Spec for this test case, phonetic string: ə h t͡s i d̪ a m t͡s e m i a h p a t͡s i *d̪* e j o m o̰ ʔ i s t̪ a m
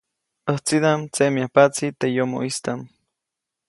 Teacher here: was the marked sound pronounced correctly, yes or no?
no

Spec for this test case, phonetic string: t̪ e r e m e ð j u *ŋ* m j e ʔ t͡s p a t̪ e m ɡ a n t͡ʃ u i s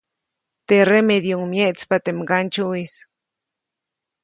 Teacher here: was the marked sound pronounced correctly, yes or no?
yes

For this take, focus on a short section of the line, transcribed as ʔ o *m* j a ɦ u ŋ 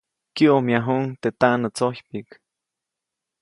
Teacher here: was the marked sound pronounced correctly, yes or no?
yes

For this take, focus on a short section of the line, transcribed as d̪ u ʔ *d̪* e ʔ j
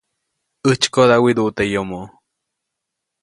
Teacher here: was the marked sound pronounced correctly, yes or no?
no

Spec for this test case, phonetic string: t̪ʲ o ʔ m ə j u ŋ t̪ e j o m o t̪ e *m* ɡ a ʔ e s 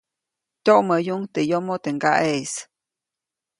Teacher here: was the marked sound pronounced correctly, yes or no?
no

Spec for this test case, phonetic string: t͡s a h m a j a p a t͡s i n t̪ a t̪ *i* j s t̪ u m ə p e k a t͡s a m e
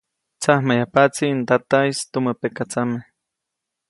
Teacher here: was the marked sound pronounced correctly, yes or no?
no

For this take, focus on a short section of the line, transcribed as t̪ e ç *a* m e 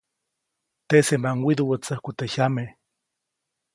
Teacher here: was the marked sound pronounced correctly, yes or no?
yes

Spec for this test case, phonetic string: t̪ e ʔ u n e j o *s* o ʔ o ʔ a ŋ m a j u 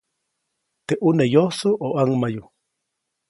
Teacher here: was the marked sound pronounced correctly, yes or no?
yes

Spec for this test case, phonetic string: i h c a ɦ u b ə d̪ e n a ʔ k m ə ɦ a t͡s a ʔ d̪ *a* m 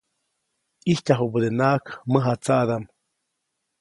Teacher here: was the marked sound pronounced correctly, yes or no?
yes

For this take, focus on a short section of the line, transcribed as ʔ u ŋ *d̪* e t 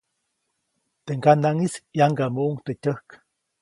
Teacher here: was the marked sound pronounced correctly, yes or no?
no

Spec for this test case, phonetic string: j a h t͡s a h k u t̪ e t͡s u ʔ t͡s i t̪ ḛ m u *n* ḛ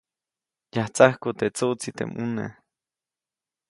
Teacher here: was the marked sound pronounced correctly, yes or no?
yes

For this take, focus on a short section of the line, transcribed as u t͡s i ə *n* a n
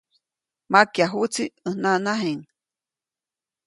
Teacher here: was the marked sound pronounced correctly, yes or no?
yes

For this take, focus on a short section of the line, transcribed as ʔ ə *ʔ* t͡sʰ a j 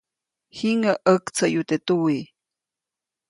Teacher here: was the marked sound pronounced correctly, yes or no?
no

